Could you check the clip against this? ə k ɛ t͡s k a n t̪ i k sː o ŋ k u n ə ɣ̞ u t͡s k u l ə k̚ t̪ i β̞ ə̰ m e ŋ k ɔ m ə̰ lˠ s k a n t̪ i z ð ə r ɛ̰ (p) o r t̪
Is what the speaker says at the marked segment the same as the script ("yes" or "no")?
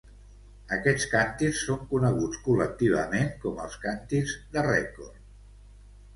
no